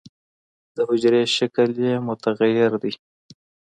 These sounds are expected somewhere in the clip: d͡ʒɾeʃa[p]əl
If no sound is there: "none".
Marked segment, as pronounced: k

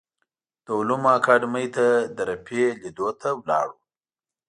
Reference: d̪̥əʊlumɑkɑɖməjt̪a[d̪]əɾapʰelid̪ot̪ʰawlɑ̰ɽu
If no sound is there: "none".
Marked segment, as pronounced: d̪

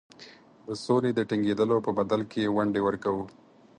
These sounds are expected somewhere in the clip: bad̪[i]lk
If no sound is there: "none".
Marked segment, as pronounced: a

